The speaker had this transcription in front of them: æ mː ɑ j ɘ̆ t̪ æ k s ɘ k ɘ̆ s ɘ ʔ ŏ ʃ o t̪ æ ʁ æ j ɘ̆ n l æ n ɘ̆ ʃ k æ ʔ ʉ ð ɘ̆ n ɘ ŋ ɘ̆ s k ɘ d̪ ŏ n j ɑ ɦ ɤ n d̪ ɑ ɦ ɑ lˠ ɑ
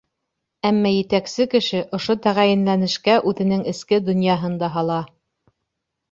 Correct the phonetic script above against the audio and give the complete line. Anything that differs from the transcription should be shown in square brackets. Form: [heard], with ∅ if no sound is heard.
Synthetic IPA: æ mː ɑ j ɘ̆ t̪ æ k s ɘ k ɘ̆ [ʃ] ɘ ʔ ŏ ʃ o t̪ æ ʁ æ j ɘ̆ n l æ n ɘ̆ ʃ k æ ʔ ʉ ð ɘ̆ n ɘ ŋ ɘ̆ s k ɘ d̪ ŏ n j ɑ ɦ ɤ n d̪ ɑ ɦ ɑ lˠ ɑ